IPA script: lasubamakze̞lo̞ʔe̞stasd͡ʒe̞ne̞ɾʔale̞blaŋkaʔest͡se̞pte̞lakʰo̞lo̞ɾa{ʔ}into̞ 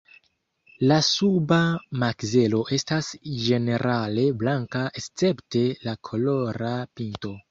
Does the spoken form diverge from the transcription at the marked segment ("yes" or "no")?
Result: yes